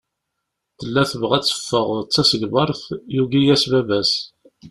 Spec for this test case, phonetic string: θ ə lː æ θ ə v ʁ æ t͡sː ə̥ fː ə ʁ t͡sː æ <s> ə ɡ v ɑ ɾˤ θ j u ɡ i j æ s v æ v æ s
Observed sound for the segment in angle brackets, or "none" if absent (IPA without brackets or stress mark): s